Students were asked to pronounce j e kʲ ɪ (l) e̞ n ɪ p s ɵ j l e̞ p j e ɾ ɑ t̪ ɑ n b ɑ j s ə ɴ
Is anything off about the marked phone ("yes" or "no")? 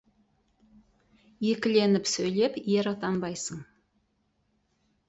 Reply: no